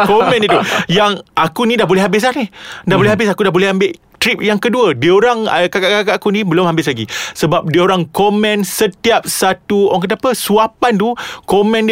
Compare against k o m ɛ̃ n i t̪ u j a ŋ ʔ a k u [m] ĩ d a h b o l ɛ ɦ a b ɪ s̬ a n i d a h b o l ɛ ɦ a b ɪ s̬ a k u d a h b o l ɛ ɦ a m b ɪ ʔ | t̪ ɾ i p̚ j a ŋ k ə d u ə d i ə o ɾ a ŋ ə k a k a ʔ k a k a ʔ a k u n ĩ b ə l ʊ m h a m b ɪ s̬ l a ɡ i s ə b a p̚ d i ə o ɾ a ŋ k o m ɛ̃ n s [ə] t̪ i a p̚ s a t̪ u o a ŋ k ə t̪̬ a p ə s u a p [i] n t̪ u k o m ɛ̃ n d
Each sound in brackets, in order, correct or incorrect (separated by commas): incorrect, correct, incorrect